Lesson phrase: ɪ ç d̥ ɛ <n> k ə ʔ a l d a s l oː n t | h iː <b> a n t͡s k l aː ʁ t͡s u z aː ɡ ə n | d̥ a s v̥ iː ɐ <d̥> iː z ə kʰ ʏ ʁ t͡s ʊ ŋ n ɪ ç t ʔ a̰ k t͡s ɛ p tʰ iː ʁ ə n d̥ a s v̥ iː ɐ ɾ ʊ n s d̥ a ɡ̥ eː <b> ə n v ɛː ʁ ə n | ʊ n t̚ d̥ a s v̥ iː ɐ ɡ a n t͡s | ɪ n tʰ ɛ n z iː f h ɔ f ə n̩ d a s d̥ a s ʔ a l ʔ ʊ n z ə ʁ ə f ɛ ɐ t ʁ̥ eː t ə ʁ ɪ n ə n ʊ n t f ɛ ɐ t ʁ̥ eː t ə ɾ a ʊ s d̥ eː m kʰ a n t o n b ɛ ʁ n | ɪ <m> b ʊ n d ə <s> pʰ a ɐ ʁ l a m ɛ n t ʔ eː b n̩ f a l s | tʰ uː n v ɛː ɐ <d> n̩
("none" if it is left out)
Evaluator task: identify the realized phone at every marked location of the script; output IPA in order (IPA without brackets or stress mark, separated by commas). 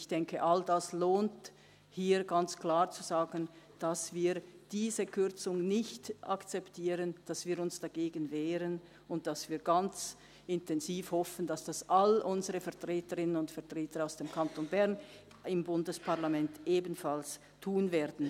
ŋ, ɡ, d̥, ɡ, m, s, d